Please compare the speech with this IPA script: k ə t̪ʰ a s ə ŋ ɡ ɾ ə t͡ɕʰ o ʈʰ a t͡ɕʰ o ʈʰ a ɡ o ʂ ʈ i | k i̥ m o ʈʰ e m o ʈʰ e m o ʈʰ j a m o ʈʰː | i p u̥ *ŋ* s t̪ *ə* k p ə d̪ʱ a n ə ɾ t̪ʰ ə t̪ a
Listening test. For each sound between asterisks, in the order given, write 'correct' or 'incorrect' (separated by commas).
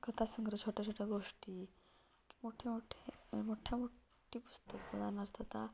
incorrect, correct